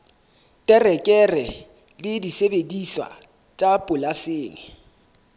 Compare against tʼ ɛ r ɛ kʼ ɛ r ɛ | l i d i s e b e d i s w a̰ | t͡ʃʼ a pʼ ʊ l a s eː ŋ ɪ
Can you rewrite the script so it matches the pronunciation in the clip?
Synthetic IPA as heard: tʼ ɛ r ɛ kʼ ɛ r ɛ | l ɪ d i s e b e d i s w a̰ | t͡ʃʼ a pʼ ʊ l a s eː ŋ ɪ